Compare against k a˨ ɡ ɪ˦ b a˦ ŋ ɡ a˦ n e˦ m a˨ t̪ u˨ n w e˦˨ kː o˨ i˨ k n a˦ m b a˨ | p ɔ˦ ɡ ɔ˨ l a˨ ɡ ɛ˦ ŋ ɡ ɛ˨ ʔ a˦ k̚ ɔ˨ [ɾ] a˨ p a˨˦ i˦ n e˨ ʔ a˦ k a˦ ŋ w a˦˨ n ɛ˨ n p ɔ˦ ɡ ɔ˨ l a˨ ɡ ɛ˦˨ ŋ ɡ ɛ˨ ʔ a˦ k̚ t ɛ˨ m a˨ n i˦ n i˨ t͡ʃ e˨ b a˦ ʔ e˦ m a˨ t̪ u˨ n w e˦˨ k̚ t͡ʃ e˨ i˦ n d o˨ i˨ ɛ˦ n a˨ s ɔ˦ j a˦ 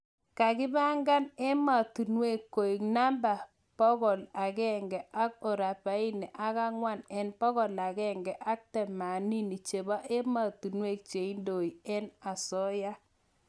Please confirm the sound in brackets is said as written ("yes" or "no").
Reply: yes